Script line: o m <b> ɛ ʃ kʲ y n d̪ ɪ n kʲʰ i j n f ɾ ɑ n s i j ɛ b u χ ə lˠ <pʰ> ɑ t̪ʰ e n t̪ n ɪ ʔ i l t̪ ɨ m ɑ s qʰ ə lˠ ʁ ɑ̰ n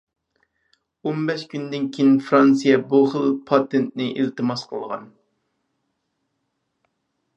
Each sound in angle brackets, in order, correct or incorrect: correct, correct

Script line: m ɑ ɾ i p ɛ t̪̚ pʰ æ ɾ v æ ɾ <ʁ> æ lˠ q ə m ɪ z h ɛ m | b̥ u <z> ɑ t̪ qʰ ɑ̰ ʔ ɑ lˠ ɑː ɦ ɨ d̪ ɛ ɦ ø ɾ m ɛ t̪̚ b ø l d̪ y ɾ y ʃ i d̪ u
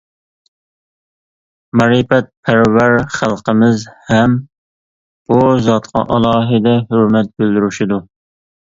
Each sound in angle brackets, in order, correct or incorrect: incorrect: χ, correct

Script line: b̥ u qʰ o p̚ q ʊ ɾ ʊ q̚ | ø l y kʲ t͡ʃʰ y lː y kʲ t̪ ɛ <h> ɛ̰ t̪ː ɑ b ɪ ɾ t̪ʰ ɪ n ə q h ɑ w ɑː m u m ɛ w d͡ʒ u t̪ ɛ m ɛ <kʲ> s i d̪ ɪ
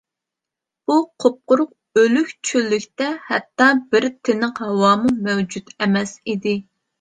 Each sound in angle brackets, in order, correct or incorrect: correct, incorrect: none

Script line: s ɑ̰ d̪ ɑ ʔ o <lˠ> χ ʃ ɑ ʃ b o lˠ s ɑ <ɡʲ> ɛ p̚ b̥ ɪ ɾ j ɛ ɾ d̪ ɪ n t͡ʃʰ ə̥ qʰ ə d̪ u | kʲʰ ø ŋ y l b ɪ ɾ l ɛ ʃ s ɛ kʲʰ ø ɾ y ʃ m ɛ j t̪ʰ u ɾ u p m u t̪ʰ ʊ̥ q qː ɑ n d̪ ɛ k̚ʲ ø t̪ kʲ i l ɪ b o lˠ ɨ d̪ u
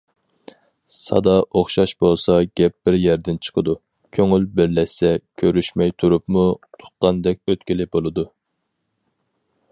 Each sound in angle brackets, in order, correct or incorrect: incorrect: none, correct

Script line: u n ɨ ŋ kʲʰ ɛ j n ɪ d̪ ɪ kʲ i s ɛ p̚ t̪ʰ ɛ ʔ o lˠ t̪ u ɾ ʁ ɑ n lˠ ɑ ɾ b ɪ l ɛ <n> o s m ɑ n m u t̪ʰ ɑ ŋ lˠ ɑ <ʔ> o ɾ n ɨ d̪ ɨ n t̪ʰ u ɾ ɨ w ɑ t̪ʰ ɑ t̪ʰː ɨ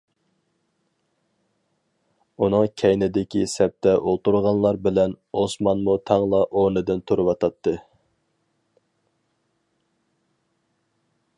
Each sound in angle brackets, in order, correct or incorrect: correct, correct

